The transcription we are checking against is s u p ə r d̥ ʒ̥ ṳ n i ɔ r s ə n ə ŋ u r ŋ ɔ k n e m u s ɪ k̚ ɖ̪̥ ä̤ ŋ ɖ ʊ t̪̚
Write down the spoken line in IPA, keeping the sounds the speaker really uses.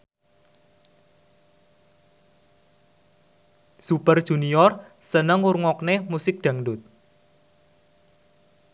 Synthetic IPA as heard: s u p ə r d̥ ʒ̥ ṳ n i ɔ r s ə n ə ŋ u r ŋ ɔ k n e m u s ɪ k̚ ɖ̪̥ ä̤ ŋ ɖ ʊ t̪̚